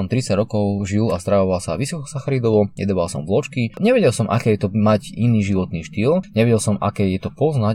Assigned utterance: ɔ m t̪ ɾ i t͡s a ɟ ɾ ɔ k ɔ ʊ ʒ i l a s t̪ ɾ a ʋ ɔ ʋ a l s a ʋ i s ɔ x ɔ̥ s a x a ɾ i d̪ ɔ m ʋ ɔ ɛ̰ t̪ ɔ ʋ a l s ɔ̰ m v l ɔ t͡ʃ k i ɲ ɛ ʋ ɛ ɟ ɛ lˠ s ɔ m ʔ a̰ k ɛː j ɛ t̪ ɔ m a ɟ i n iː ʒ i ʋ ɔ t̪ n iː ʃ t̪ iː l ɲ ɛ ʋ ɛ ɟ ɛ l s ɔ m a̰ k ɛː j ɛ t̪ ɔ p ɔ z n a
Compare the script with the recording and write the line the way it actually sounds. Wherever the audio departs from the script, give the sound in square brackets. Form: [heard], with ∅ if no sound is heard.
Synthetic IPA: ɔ m t̪ ɾ i t͡s a ɟ ɾ ɔ k ɔ ʊ ʒ i l a s t̪ ɾ a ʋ ɔ ʋ a l s a ʋ i s ɔ [k] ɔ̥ s a x a ɾ i d̪ ɔ [∅] ʋ ɔ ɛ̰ [d̪] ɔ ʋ a l s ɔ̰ m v l ɔ t͡ʃ k i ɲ ɛ ʋ ɛ ɟ ɛ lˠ s ɔ m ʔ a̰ k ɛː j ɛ t̪ ɔ m a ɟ i n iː ʒ i ʋ ɔ t̪ n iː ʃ t̪ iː l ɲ ɛ ʋ ɛ ɟ ɛ l s ɔ m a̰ k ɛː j ɛ t̪ ɔ p ɔ z n a